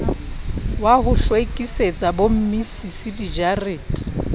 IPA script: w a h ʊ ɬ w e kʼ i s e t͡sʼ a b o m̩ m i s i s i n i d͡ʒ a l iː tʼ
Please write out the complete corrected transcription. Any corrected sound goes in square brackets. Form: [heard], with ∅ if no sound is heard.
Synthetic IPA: w a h ʊ ɬ w e kʼ i s e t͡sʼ a b o m̩ m i s i s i [d] i d͡ʒ a [r] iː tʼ